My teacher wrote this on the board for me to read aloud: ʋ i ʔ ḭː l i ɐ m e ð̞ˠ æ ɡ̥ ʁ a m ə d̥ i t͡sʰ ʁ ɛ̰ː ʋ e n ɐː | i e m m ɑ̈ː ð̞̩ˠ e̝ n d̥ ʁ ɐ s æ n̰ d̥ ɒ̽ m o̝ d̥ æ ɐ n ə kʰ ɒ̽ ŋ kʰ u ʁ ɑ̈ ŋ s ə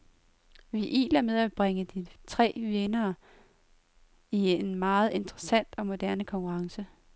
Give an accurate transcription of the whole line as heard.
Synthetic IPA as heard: ʋ i ʔ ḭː l æ ɐ m e ð̞ˠ æ b̥ ʁ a ŋ ə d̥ i t͡sʰ ʁ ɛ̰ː ʋ e n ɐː | i e n m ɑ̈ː ð̞̩ˠ e̝ n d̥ ʁ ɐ s æ n̰ d̥ ɒ̽ m o̝ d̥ æ ɐ n ə kʰ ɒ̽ ŋ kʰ u ʁ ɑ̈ ŋ s ə